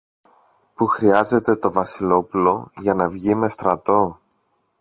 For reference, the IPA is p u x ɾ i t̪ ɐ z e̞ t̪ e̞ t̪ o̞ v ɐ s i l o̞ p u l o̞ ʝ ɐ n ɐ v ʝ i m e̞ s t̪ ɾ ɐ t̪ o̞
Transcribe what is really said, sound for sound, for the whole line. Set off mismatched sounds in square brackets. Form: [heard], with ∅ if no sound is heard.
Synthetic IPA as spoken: p u x ɾ i [∅] ɐ z e̞ t̪ e̞ t̪ o̞ v ɐ s i l o̞ p u l o̞ ʝ ɐ n ɐ v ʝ i m e̞ s t̪ ɾ ɐ t̪ o̞

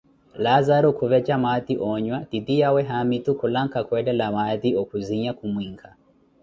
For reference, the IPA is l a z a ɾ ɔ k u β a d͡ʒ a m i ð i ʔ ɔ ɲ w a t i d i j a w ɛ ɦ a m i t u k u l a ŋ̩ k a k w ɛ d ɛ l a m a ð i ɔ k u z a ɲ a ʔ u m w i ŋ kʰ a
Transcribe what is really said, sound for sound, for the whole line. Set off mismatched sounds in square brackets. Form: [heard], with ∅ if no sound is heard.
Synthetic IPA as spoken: l a z a ɾ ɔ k u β [ɛ] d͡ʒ a m [a] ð i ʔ ɔ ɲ w a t i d i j a w ɛ ɦ a m i t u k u l a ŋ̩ k a k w ɛ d ɛ l a m a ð i ɔ k u z [i] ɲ a [k] u m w i ŋ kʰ a

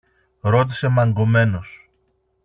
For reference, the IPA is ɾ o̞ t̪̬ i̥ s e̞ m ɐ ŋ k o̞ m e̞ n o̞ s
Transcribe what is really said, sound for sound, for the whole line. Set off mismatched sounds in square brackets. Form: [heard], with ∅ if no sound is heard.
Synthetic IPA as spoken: ɾ o̞ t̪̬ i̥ s e̞ m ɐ ŋ [ɡ] o̞ m e̞ n o̞ s

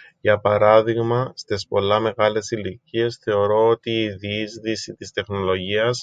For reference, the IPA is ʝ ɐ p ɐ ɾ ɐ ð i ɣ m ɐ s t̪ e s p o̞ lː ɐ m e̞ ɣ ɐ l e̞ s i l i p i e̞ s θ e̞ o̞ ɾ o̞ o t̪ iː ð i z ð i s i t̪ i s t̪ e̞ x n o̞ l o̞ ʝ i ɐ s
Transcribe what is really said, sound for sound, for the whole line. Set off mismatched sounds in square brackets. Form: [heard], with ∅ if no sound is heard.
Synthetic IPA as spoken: ʝ ɐ p ɐ ɾ ɐ ð i ɣ m ɐ s t̪ e s p o̞ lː ɐ m e̞ ɣ ɐ l e̞ s i l i [c] i e̞ s θ e̞ o̞ ɾ o̞ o t̪ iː ð i z ð i s i t̪ i s t̪ e̞ x n o̞ l o̞ ʝ i ɐ s

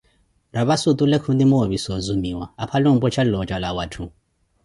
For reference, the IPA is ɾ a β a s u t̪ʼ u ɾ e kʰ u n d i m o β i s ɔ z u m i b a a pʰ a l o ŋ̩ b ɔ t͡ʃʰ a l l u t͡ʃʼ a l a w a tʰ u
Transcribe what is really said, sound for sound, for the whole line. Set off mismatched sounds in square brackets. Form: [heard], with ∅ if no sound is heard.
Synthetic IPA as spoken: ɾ a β a s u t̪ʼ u [l] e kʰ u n d i m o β i s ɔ z u m i [w] a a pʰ a l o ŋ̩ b ɔ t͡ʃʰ a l l [ɔ] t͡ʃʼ a l a w a tʰ u

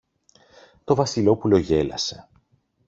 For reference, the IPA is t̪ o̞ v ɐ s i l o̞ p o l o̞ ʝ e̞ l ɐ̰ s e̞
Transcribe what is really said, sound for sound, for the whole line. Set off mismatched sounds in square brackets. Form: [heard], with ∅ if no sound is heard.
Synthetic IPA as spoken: t̪ o̞ v ɐ s i l o̞ p [u] l o̞ ʝ e̞ l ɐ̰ s e̞

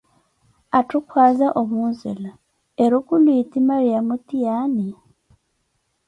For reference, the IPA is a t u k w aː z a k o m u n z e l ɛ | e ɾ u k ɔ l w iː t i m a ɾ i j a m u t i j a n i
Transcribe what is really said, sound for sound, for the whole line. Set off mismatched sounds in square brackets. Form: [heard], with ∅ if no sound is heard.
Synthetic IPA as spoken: a t u k w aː z a [ʔ] o m u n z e l [a] | e ɾ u k [u] l w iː t i m a ɾ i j a m u t i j a n i

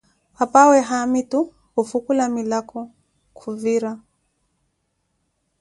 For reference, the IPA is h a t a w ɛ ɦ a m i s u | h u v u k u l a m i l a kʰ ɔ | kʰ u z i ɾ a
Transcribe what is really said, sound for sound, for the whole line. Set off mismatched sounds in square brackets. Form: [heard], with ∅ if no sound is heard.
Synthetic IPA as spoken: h a [p] a w ɛ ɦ a m i [t] u | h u [f] u k u l a m i l a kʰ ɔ | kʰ u [v] i ɾ a

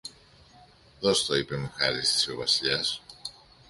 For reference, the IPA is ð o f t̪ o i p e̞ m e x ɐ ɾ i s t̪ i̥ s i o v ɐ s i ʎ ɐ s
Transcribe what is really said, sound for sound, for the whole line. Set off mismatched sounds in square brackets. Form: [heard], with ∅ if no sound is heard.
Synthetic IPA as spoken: ð o [s] t̪ o i p e̞ m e x ɐ ɾ i s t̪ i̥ s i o v ɐ s i ʎ ɐ s

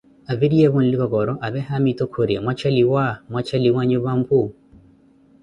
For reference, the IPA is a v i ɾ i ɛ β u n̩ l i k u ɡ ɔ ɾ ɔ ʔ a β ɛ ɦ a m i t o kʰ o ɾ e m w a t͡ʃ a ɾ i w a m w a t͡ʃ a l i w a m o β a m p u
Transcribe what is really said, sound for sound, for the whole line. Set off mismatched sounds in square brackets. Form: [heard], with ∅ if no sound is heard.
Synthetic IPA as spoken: a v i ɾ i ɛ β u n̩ l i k [ɔ] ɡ ɔ ɾ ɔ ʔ a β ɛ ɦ a m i t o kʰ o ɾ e m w a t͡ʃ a [l] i w a m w a t͡ʃ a l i w a [ɲ] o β a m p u

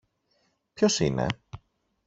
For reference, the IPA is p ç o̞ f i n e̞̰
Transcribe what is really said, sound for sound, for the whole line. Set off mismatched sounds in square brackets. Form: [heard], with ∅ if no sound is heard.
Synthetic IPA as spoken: p ç o̞ [s] i n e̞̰

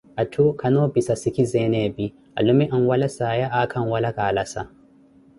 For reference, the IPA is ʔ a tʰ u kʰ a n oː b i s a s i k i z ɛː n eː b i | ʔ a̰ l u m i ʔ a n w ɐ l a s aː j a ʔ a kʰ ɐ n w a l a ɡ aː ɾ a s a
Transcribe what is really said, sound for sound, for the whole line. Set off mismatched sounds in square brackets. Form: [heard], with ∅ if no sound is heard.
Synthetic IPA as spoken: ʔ a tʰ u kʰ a n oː b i s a s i k i z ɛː n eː b i | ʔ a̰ l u m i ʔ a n w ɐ l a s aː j a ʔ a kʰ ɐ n w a l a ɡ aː [l] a s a

